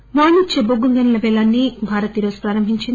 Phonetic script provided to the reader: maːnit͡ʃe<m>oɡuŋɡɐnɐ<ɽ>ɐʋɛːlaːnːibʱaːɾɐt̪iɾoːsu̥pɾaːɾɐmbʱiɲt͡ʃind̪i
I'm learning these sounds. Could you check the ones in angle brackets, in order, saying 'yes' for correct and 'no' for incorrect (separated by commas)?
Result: no, no